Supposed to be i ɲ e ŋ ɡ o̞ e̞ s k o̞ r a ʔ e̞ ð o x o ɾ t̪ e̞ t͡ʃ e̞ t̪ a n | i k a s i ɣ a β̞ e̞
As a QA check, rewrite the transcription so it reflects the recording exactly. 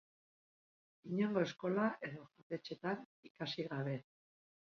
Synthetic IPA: i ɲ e ŋ ɡ o̞ e̞ s k o̞ l a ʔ e̞ ð o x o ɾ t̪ e̞ t͡ʃ e̞ t̪ a n | i k a s i ɣ a β̞ e̞

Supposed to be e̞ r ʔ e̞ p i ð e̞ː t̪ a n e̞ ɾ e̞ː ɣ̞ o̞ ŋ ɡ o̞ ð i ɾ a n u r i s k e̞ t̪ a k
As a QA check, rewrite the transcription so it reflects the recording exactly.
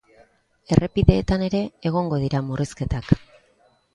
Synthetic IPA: e̞ r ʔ e̞ p i ð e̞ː t̪ a n e̞ ɾ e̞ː ɣ̞ o̞ ŋ ɡ o̞ ð i ɾ a m u r i s k e̞ t̪ a k

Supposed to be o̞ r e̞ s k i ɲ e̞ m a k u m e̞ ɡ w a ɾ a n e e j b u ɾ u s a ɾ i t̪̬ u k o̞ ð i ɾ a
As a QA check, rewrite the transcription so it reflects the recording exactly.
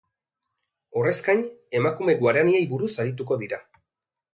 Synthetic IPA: o̞ r e̞ s k a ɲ e̞ m a k u m e̞ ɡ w a ɾ a n i e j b u ɾ u s a ɾ i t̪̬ u k o̞ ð i ɾ a

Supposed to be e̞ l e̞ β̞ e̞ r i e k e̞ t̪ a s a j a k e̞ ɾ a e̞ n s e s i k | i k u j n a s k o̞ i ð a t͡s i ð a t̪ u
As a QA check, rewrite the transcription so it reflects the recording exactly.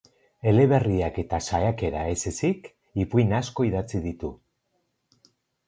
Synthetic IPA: e̞ l e̞ β̞ e̞ r i a k e̞ t̪ a s a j a k e̞ ɾ a e̞ s e s i k | i p u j n a s k o̞ i ð a t͡s i ð i t̪ u

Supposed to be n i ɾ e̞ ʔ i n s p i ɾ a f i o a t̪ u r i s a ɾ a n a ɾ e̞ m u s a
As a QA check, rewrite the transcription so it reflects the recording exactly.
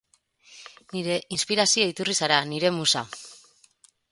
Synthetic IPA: n i ɾ e̞ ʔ i n s p i ɾ a s i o i t̪ u r i s a ɾ a n i ɾ e̞ m u s a

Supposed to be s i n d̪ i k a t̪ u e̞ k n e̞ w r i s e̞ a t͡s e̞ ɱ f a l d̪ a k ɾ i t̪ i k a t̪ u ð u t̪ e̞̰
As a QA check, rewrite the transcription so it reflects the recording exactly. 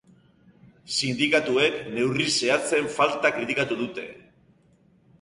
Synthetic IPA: s i n d̪ i k a t̪ u e̞ k n e̞ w r i s e̞ a t͡s e̞ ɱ f a l t̪ a k ɾ i t̪ i k a t̪ u ð u t̪ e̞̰

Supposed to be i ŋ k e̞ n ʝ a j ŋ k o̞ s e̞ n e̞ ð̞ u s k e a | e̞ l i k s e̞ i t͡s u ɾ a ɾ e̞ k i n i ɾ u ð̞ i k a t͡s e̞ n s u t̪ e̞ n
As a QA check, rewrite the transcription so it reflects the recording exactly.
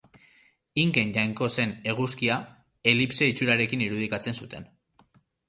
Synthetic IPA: i ŋ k e̞ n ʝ a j ŋ k o̞ s e̞ n e̞ ɣ̞ u s k i a | e̞ l i p s e̞ i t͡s u ɾ a ɾ e̞ k i n i ɾ u ð̞ i k a t͡s e̞ n s u t̪ e̞ n

